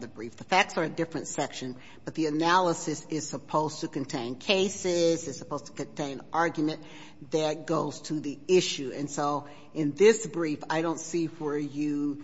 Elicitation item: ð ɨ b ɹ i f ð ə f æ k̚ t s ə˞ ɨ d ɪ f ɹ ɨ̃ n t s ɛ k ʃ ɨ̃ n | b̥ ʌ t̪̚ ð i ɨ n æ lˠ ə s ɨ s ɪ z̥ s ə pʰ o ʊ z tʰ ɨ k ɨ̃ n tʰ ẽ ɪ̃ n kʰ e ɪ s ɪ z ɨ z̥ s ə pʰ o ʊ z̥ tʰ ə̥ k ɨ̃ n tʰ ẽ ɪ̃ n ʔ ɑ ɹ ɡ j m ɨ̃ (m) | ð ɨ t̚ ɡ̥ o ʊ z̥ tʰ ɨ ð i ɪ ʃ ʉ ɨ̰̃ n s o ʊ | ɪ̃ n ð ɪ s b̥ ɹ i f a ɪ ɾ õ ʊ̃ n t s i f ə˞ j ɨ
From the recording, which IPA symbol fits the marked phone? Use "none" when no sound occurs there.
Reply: n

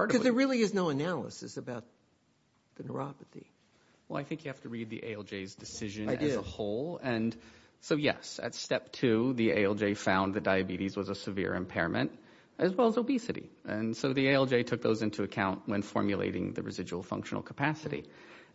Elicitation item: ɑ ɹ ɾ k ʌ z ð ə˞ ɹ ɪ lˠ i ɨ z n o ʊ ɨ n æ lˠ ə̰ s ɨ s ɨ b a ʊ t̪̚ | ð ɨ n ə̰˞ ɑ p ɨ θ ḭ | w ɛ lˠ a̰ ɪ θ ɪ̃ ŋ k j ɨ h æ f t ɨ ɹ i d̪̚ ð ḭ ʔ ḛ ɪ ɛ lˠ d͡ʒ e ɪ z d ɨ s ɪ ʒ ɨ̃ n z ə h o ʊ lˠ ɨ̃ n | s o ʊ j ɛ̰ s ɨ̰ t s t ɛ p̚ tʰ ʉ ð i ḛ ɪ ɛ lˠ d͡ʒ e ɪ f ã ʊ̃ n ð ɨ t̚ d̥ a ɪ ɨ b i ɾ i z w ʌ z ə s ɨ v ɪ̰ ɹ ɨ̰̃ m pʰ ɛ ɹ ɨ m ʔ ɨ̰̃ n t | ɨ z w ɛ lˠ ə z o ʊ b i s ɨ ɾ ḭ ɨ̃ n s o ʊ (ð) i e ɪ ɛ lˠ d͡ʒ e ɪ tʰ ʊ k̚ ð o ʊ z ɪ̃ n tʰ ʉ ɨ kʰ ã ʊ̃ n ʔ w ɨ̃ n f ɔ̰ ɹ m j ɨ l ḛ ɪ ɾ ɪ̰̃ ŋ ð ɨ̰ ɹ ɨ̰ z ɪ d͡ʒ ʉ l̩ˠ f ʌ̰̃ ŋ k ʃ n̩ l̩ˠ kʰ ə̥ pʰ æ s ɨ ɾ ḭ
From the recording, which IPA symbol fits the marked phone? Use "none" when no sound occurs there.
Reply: ð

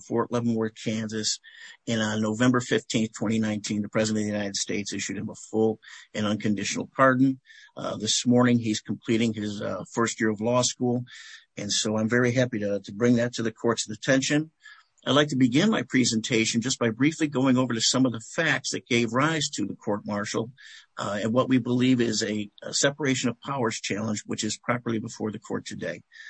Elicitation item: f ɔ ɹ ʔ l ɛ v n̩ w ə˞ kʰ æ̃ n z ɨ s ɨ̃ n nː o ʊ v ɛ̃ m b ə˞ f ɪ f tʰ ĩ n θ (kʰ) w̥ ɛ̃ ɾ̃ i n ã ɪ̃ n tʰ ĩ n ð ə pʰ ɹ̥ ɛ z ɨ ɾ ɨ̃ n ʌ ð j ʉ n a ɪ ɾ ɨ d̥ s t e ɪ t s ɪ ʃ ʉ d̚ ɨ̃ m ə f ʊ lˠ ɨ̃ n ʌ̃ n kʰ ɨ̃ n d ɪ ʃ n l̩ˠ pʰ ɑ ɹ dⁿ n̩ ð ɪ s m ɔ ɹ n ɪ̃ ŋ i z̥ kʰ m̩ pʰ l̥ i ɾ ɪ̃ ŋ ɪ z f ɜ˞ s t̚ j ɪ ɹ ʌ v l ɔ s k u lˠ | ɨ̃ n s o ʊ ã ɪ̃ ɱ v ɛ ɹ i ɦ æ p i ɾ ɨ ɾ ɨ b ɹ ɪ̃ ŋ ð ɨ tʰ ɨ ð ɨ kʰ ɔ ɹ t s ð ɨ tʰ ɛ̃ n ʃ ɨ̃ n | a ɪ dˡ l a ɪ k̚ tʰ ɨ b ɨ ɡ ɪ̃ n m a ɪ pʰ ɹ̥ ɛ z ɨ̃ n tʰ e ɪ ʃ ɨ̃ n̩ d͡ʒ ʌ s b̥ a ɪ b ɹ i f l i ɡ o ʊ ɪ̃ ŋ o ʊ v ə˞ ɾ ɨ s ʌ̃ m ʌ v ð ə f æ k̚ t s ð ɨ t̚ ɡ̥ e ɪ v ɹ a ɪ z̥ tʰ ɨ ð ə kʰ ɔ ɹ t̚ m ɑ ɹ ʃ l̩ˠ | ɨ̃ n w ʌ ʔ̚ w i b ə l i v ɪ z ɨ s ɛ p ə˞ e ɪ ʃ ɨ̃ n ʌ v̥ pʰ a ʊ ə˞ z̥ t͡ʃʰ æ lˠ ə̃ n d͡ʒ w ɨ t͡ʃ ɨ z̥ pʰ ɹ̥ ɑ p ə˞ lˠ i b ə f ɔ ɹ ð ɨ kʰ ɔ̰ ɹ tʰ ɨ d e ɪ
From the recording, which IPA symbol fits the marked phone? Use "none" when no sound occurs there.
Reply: tʰ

